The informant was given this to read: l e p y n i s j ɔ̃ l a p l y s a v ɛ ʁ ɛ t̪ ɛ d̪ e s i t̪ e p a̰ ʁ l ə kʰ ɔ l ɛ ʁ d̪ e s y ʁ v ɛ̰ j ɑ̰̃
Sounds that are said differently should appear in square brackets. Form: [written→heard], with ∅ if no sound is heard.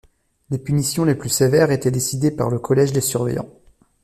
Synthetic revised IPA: l e p y n i s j ɔ̃ l [a→e] p l y s [a→e] v ɛ ʁ [ɛ→e] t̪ ɛ d̪ e s i [t̪→d̪] e p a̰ ʁ l ə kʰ ɔ l ɛ [ʁ→ʒ] d̪ e s y ʁ v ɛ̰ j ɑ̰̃

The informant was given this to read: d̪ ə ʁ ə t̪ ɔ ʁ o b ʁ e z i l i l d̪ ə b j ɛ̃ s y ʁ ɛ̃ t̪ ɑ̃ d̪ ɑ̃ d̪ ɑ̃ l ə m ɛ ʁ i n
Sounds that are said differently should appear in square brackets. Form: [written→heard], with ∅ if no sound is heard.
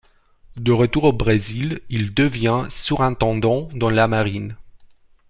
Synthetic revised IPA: d̪ ə ʁ ə t̪ [ɔ→u] ʁ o b ʁ e z i l i l d̪ ə [b→v] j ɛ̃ s y ʁ ɛ̃ t̪ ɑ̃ d̪ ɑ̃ d̪ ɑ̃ l [ə→a] m [ɛ→a] ʁ i n

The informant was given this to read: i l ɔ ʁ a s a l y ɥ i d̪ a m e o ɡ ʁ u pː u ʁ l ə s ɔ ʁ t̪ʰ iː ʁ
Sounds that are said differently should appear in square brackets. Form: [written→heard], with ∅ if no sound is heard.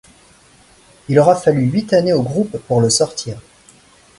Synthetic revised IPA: i l ɔ ʁ a [s→f] a l y ɥ i [d̪→t̪] a [m→n] e o ɡ ʁ u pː u ʁ l ə s ɔ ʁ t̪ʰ iː ʁ

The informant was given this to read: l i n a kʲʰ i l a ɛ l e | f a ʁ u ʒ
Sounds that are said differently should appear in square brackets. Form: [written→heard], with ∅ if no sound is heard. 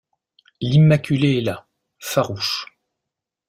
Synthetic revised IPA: l i [n→m] a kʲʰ [i→y] l [a→e] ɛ l [e→a] | f a ʁ u [ʒ→ʃ]

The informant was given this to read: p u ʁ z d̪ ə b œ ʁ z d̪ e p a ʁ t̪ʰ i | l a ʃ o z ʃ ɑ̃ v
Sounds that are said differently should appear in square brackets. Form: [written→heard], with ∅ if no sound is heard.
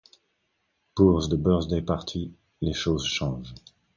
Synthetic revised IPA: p u ʁ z d̪ ə b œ ʁ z d̪ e p a ʁ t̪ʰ i | l [a→e] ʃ o z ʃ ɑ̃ [v→ʒ]

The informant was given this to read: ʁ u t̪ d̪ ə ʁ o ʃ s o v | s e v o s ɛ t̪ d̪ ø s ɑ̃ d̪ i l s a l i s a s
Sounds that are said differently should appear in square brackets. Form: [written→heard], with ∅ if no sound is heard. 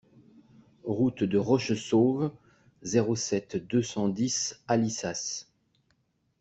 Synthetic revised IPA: ʁ u t̪ d̪ ə ʁ [o→ɔ] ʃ s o v | [s→z] e [v→ʁ] o s ɛ t̪ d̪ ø s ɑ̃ d̪ i [l→∅] s a l i s a s

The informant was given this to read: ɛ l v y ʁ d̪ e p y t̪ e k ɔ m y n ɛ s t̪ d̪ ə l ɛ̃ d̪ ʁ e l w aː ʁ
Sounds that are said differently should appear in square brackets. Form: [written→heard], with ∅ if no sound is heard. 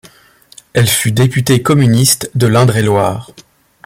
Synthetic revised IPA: ɛ l [v→f] y [ʁ→∅] d̪ e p y t̪ e k ɔ m y n [ɛ→i] s t̪ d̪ ə l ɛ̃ d̪ ʁ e l w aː ʁ

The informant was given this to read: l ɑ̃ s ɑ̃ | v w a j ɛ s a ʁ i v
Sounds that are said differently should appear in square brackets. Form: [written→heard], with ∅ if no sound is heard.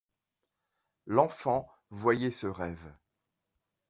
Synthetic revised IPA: l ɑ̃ [s→f] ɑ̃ | v w a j ɛ s [a→ə] ʁ [i→ɛ] v

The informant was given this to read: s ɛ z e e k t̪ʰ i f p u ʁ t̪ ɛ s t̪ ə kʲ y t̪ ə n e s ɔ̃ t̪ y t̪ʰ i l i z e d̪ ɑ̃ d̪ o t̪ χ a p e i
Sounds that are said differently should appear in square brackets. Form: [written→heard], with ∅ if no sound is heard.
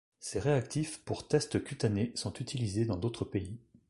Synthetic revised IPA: s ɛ [z→ʁ] e [e→a] k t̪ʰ i f p u ʁ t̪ ɛ s t̪ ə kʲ y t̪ [ə→a] n e s ɔ̃ t̪ y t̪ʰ i l i z e d̪ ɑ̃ d̪ o t̪ χ [a→ə] p e i

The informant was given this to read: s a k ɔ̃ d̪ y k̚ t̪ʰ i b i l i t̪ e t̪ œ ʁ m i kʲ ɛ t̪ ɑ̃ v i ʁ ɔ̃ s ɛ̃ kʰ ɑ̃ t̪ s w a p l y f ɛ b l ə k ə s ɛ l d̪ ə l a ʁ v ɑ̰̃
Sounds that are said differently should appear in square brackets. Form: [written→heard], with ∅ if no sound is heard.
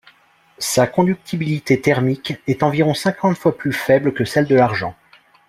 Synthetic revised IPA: s a k ɔ̃ d̪ y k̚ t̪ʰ i b i l i t̪ e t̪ [œ→ɛ] ʁ m i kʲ ɛ t̪ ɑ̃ v i ʁ ɔ̃ s ɛ̃ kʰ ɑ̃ t̪ [s→f] w a p l y f ɛ b l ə k ə s ɛ l d̪ ə l a ʁ [v→ʒ] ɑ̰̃

